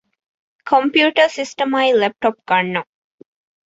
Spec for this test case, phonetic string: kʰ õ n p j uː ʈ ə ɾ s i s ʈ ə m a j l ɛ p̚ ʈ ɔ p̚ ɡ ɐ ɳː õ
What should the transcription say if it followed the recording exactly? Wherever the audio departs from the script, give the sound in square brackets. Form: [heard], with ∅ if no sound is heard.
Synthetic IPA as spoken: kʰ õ [m] p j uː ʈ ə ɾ s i s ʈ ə m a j l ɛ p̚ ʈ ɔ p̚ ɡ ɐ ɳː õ